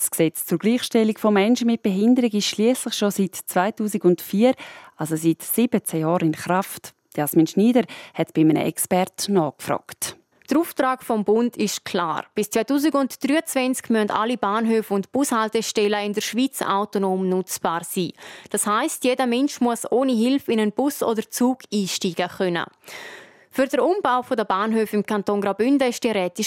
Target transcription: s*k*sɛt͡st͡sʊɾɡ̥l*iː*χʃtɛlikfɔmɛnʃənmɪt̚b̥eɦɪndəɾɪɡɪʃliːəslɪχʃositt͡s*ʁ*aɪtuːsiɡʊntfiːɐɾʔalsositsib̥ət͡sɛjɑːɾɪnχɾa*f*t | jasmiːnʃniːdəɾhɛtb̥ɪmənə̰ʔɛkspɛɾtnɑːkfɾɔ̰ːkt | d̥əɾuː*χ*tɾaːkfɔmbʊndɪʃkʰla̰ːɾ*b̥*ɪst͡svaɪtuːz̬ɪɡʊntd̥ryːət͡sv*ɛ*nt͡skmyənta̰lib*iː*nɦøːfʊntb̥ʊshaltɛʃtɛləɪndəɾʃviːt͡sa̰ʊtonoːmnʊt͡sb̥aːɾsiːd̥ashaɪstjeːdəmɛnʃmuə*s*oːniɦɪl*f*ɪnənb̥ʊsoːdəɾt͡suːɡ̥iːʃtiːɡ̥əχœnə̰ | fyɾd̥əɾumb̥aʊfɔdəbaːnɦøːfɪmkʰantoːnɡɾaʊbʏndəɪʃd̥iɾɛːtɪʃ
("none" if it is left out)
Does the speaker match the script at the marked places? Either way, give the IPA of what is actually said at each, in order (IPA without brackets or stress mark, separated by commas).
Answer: k, iː, v, f, f, b̥, ɛ, aː, s, f